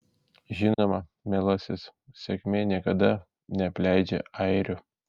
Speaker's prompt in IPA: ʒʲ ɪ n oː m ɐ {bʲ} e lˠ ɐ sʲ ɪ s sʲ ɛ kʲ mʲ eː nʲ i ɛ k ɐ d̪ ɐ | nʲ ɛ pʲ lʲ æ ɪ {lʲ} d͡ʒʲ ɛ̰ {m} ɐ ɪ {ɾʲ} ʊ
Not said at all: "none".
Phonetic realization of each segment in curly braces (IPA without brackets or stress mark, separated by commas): mʲ, none, none, ɾʲ